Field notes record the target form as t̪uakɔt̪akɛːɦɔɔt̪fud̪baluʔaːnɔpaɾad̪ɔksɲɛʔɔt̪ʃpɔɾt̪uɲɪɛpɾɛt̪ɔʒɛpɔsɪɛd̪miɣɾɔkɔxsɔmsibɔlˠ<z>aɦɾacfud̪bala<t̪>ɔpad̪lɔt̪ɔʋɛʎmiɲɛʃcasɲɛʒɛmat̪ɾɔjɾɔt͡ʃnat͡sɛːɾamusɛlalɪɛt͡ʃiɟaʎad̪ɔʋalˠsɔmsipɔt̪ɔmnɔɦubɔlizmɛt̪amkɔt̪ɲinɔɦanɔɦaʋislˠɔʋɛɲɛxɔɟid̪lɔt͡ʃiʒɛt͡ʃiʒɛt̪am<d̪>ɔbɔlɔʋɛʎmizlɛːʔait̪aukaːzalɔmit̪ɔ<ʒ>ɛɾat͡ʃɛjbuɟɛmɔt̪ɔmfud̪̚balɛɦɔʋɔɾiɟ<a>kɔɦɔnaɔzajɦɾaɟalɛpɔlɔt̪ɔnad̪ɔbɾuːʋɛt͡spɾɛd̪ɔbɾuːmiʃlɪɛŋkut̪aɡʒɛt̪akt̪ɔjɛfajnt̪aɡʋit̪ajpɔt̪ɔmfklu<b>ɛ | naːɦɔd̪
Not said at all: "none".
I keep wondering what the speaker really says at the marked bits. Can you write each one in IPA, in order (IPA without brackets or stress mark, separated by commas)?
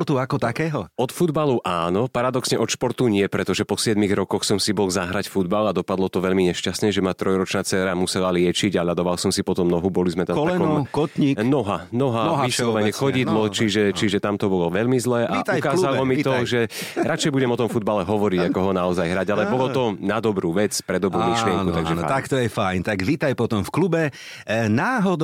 z, d̪, t̪, ʒ, a, b